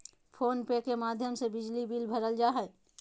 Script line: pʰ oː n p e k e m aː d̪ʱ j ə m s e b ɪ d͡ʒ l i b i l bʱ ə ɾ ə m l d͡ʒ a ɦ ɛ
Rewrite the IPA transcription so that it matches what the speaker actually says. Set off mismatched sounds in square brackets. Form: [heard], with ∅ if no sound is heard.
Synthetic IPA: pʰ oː n p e k e m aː d̪ʱ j ə m s e b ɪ d͡ʒ l i b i l bʱ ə ɾ ə [∅] l d͡ʒ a ɦ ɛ

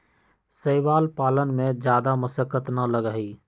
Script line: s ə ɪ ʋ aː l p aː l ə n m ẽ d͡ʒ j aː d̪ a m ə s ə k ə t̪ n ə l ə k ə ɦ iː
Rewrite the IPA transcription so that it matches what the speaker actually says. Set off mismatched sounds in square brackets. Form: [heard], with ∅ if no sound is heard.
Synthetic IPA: s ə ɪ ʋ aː l p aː l ə n m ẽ d͡ʒ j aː d̪ a m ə s ə k ə t̪ n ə l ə [ɡ] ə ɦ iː

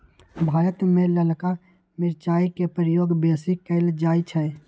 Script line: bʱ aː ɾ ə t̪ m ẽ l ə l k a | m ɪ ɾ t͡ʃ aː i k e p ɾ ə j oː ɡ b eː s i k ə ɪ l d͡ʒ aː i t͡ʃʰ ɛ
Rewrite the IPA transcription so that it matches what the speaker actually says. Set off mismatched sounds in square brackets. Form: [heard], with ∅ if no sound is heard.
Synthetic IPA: bʱ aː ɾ ə t̪ m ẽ l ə l k a | m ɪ ɾ t͡ʃ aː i k e p ɾ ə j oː ɡ b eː s i k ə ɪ l d͡ʒ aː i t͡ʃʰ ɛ

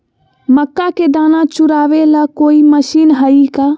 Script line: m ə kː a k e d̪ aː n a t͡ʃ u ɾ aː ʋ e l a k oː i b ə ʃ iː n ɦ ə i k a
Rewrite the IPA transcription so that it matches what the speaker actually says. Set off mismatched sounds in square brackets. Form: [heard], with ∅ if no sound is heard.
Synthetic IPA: m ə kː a k e d̪ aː n a t͡ʃ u ɾ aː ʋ e l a k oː i [m] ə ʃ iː n ɦ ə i k a

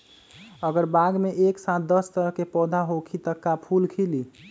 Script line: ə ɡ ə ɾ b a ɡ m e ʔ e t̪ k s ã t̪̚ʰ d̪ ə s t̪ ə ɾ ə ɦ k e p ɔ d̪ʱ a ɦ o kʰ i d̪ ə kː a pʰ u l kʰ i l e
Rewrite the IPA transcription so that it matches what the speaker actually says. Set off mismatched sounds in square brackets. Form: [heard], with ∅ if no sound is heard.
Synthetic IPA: ə ɡ ə ɾ b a ɡ m e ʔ e [∅] k s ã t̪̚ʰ d̪ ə s t̪ ə ɾ ə ɦ k e p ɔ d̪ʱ a ɦ o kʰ i [t̪] ə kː a pʰ u l kʰ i l [i]

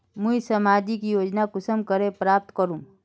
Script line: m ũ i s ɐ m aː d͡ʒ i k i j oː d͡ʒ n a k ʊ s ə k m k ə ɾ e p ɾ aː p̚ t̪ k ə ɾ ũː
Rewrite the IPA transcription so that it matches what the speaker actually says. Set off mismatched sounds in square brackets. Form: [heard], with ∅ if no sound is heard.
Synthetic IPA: m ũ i s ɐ m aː d͡ʒ i k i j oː d͡ʒ n a k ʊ s ə [∅] m k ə ɾ e p ɾ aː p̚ t̪ k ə ɾ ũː

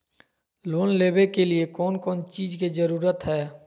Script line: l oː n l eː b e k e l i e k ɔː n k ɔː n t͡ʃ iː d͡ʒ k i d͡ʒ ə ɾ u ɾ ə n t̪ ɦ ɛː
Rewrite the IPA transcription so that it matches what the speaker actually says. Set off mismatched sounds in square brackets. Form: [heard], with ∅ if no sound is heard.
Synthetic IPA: l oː n l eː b e k e l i e k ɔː n k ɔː n t͡ʃ iː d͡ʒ k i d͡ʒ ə ɾ [uː] ɾ ə [∅] t̪ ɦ ɛː

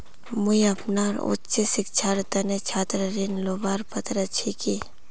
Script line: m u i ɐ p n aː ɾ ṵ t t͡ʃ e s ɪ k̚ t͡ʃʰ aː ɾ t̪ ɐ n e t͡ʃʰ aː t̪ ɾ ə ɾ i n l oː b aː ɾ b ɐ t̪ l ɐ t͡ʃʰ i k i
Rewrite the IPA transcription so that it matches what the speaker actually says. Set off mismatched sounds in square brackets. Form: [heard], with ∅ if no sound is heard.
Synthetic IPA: m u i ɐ p n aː ɾ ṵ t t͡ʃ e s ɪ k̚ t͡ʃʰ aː ɾ t̪ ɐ n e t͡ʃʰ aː t̪ ɾ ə ɾ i n l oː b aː ɾ [p] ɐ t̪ [ɾ] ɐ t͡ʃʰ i k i

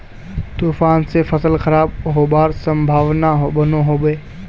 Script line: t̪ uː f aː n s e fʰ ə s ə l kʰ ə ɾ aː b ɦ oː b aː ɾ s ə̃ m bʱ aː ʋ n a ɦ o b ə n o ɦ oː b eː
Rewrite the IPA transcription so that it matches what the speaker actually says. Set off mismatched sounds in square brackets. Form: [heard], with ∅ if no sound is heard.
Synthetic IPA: t̪ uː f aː n s e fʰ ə s ə l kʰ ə ɾ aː b ɦ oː b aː ɾ s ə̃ m bʱ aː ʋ n a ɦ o b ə n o ɦ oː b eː

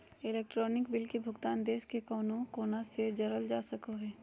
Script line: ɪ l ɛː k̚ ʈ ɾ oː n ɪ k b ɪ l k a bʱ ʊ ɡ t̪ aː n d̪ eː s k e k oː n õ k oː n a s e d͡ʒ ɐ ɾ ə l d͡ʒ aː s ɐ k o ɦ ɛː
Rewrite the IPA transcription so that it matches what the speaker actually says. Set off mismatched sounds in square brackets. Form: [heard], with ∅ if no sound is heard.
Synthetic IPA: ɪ l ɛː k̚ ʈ ɾ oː n ɪ k b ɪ l k [e] bʱ ʊ ɡ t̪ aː n d̪ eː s k e k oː n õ k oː n a s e d͡ʒ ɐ ɾ ə l d͡ʒ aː s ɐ k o ɦ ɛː

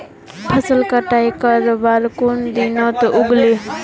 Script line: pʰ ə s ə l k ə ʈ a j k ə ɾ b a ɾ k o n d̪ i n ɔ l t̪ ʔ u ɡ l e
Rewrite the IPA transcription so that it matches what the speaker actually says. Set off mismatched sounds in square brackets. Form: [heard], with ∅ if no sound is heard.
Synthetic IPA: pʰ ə s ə l k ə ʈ a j k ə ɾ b a ɾ k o n d̪ i n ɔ [∅] t̪ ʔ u ɡ l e

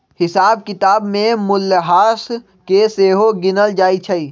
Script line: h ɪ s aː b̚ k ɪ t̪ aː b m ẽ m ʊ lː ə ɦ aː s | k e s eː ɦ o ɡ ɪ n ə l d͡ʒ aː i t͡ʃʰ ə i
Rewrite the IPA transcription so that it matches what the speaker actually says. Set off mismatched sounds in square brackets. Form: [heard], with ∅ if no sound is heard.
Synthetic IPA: h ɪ s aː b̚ k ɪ t̪ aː b m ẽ m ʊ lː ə ɦ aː s | k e s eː ɦ o ɡ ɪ n ə l d͡ʒ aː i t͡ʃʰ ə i

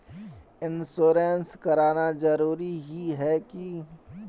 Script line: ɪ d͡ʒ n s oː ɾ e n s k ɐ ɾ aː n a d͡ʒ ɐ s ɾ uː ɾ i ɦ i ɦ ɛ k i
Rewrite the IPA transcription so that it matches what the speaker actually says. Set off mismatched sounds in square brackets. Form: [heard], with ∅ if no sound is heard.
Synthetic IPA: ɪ [∅] n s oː ɾ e n s k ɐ ɾ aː n a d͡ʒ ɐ [∅] ɾ uː ɾ i ɦ i ɦ ɛ k i

